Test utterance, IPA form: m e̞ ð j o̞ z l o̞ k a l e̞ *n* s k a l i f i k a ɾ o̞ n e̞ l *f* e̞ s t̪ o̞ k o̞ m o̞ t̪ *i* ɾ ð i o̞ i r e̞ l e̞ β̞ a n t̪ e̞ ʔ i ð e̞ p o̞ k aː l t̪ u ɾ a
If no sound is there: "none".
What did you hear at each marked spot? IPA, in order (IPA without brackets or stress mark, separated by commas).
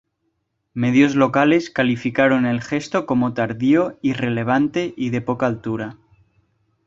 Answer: none, x, a